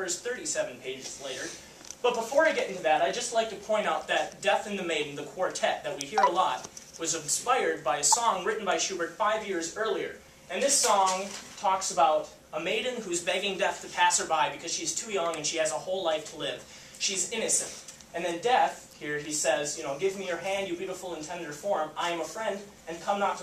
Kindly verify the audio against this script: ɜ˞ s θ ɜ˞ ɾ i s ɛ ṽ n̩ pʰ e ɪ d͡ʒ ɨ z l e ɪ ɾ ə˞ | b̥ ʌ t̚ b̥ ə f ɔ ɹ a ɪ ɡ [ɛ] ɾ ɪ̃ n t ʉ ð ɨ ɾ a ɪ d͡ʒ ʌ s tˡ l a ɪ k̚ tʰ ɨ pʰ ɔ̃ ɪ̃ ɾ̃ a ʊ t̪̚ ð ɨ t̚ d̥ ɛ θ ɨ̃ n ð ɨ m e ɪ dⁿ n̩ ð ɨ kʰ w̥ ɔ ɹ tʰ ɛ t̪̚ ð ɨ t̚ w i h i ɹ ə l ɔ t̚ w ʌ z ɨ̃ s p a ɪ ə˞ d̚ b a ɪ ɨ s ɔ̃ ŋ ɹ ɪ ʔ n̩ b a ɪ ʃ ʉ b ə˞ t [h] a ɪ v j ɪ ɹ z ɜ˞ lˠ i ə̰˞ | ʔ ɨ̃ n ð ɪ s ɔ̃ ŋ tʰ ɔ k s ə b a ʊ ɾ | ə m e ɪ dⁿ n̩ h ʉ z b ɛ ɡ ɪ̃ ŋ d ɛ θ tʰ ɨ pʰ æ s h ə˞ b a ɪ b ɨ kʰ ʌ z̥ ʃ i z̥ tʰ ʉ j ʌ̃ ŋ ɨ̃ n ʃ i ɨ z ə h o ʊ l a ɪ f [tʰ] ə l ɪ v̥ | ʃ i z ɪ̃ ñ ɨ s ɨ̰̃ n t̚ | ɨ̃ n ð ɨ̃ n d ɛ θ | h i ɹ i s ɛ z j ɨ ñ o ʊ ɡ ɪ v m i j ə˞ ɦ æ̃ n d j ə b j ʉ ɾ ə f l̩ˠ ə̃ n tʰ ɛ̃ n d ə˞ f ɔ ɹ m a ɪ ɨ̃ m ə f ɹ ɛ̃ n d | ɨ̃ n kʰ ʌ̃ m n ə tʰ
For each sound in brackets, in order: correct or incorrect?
correct, incorrect, correct

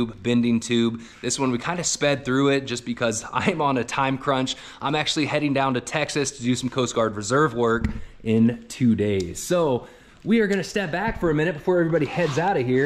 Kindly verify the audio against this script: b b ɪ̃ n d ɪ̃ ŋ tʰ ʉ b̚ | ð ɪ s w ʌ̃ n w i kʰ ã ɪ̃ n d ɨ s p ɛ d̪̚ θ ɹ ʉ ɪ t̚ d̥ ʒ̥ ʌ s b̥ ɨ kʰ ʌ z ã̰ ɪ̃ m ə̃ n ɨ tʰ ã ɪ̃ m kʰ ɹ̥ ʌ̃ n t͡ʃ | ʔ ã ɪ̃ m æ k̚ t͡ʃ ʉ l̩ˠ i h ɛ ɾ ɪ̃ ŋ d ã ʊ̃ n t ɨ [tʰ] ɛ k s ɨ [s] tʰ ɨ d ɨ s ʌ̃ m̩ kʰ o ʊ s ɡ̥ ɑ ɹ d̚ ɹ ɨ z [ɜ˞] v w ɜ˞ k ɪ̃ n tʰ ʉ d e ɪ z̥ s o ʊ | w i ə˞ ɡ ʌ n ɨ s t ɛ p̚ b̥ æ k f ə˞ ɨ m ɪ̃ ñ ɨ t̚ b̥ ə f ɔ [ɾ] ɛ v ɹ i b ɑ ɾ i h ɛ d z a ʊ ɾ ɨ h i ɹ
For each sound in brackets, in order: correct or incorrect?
correct, correct, correct, incorrect

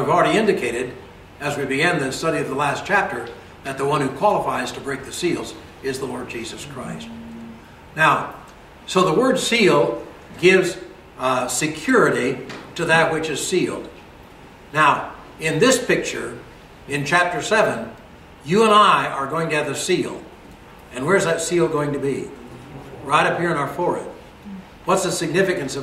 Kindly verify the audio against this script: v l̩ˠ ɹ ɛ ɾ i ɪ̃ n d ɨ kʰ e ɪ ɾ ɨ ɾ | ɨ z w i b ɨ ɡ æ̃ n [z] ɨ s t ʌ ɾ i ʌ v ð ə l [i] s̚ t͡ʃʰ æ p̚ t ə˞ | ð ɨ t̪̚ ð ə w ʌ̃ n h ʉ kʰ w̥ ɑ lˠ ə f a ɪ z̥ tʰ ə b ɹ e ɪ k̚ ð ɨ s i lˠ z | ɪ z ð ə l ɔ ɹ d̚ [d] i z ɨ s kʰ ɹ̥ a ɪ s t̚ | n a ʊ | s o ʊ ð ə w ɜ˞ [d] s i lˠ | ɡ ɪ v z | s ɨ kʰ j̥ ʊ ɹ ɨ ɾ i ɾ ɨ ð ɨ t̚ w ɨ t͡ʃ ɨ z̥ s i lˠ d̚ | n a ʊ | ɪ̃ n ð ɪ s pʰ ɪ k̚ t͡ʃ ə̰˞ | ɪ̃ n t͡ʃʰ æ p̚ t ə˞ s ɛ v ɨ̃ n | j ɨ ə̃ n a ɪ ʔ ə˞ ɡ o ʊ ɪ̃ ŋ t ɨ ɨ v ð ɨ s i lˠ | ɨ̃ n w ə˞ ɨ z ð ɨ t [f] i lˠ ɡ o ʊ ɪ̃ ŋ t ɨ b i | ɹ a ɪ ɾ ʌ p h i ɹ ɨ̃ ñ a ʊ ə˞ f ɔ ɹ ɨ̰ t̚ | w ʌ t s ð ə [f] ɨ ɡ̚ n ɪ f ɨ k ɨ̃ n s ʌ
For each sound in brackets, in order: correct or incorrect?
incorrect, incorrect, incorrect, correct, incorrect, incorrect

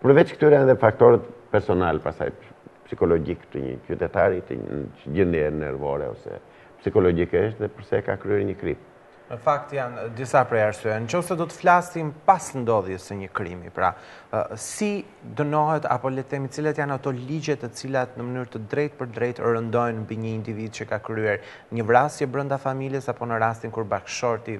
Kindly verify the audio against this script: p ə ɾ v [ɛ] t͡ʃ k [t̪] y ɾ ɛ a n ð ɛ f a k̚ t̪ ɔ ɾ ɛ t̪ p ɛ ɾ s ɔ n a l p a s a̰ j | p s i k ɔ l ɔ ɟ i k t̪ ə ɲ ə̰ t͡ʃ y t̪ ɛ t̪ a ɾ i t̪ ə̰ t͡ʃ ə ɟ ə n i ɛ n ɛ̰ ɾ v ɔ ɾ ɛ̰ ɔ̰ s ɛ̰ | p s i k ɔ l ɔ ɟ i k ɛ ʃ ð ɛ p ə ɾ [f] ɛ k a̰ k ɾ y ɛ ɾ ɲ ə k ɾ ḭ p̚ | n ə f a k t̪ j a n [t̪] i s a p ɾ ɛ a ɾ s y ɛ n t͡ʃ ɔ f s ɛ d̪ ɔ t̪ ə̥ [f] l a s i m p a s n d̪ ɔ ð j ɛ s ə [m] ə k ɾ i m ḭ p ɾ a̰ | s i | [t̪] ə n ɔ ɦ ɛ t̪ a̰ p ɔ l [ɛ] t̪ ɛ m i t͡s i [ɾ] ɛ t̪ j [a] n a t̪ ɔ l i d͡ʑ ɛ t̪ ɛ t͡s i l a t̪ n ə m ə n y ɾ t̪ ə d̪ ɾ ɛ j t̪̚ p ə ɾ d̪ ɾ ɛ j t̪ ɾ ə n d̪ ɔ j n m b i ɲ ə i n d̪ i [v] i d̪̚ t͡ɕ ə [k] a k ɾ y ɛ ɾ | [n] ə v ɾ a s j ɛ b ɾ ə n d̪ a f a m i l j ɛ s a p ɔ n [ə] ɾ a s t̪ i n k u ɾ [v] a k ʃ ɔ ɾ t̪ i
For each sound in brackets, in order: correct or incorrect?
correct, correct, incorrect, incorrect, correct, incorrect, incorrect, correct, incorrect, correct, correct, correct, incorrect, correct, incorrect

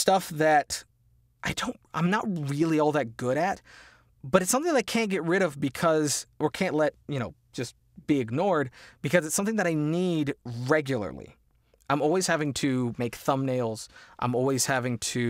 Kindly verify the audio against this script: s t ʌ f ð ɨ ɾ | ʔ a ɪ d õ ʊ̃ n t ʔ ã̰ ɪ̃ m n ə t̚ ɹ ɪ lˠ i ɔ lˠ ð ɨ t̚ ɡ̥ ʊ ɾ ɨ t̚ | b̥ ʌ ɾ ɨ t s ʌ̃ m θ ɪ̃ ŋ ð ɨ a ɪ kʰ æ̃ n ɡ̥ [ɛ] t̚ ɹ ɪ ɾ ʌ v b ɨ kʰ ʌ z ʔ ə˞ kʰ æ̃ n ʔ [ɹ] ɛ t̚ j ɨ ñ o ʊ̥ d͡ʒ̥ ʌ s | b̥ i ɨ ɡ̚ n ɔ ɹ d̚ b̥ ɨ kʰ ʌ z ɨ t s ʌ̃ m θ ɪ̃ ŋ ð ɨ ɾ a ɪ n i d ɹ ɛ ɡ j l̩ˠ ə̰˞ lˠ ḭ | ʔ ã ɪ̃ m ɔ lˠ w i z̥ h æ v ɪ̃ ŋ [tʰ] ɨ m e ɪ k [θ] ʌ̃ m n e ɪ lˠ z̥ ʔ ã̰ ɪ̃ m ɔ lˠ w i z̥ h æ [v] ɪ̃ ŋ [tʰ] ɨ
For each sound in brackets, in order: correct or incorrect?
correct, incorrect, correct, correct, correct, correct

